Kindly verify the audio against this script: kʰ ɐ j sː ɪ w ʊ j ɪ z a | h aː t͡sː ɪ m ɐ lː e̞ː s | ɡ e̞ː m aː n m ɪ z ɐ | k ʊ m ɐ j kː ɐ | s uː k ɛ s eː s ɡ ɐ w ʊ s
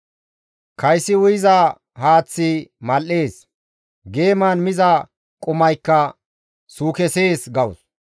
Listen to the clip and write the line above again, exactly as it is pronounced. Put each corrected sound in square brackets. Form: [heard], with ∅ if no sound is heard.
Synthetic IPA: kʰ ɐ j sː ɪ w ʊ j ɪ z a | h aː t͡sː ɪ m ɐ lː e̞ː s | ɡ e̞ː m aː n m ɪ z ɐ | [kʼ] ʊ m ɐ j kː ɐ | s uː k ɛ s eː s ɡ ɐ w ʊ s